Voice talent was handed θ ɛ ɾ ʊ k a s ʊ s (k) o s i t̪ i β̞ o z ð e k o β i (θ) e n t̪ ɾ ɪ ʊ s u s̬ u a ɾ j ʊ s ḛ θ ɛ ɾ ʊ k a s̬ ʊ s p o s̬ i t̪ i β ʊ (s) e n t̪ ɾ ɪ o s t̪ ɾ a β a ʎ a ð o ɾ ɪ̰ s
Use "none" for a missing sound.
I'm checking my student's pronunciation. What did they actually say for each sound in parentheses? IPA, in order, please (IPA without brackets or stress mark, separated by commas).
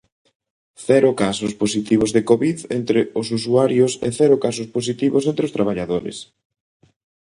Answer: p, ð, s